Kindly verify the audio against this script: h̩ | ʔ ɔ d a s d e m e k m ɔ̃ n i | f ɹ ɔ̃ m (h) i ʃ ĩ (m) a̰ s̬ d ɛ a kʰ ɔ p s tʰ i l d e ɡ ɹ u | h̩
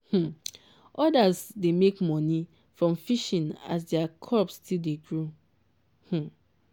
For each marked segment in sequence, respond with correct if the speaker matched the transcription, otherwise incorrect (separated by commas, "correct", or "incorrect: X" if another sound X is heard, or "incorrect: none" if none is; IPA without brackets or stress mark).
incorrect: f, incorrect: n